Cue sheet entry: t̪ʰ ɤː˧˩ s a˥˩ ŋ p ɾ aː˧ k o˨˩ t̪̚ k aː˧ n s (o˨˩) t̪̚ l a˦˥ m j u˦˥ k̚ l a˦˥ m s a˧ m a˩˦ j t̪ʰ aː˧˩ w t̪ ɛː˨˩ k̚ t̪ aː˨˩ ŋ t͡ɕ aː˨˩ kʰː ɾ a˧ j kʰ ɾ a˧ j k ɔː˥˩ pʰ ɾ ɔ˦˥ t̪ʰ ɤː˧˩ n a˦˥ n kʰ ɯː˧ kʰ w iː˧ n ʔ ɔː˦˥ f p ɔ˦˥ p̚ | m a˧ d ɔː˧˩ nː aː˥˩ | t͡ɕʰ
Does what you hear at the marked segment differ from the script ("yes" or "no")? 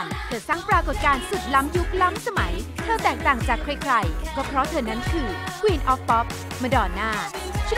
yes